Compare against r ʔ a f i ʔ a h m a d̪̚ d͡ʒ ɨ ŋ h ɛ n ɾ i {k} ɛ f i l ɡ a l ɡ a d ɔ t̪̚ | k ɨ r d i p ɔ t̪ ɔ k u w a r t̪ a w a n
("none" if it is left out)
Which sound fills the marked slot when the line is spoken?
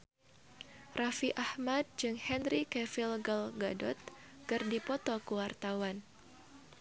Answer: k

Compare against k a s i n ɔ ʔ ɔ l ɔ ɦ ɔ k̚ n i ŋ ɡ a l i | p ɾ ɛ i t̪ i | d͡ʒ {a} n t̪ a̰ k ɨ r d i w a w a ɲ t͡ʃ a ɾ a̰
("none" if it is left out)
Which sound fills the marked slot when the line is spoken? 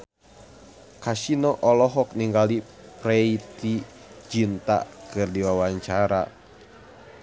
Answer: i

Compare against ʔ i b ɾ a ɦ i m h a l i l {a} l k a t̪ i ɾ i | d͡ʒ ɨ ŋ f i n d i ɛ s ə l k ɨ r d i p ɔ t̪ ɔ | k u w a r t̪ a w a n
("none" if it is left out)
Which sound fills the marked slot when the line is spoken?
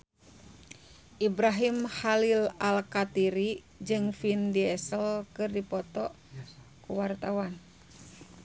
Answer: a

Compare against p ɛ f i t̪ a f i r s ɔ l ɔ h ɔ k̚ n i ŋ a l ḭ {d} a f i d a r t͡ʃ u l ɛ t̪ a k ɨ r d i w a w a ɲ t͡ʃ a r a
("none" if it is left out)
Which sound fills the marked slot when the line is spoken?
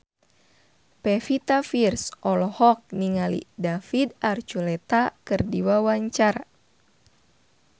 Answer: d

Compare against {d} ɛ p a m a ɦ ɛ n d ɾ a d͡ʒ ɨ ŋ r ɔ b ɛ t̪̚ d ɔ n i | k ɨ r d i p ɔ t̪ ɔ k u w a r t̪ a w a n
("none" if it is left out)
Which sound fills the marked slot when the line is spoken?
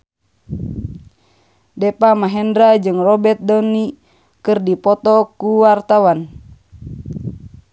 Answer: d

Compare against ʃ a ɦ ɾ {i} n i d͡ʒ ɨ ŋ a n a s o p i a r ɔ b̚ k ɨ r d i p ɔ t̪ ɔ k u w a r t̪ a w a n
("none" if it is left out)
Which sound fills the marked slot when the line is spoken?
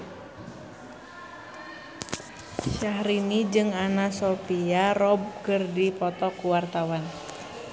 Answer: i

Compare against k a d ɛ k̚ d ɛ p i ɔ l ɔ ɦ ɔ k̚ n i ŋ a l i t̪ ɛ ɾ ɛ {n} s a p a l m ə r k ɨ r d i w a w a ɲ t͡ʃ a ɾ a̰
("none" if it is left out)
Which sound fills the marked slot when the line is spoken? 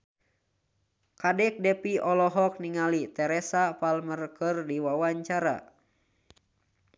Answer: none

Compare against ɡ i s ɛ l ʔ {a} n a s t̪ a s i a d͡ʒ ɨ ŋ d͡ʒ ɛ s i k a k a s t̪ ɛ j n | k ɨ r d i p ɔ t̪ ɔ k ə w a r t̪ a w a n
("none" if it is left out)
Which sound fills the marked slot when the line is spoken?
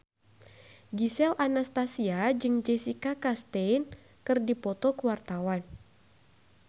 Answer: a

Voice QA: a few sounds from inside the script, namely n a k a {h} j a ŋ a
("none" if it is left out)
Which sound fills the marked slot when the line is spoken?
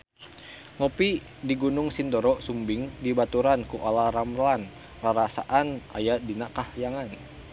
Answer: h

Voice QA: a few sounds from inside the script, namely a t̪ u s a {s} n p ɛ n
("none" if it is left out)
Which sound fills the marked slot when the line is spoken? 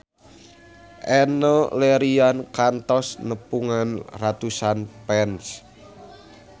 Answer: none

